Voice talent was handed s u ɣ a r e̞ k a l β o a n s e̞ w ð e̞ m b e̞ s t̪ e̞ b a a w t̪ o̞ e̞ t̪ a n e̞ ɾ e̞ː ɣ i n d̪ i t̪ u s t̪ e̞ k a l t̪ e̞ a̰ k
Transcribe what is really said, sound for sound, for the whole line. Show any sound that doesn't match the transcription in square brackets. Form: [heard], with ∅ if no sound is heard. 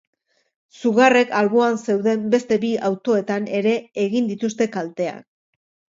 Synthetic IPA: s u ɣ a r e̞ k a l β o a n s e̞ w ð e̞ m b e̞ s t̪ e̞ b [i] a w t̪ o̞ e̞ t̪ a n e̞ ɾ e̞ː ɣ i n d̪ i t̪ u s t̪ e̞ k a l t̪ e̞ a̰ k